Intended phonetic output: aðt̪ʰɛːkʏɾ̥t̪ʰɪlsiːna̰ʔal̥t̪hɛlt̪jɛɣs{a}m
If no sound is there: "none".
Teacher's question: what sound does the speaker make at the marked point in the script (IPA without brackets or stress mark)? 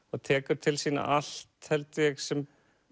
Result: ɛ